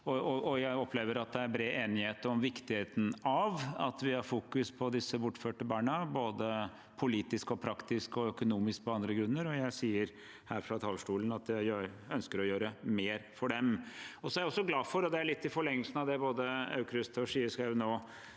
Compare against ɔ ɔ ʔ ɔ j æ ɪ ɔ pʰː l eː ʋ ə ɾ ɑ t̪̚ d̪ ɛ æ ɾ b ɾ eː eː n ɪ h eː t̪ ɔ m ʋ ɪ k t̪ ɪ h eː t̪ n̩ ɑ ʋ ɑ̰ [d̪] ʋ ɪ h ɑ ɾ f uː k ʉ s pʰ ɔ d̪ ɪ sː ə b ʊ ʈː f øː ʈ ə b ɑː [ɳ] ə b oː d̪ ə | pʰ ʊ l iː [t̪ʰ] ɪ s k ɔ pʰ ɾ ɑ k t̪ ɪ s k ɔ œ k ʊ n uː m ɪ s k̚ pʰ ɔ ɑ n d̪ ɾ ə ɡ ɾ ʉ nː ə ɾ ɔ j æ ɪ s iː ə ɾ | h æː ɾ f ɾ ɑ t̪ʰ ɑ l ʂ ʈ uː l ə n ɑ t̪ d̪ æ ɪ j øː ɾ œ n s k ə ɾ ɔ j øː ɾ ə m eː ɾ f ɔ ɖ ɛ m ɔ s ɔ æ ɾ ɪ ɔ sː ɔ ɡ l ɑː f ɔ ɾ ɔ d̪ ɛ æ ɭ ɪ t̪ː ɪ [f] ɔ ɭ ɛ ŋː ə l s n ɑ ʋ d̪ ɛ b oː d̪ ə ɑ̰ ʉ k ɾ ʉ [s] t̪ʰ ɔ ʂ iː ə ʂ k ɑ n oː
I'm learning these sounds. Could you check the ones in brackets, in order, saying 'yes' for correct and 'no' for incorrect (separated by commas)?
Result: no, yes, no, yes, yes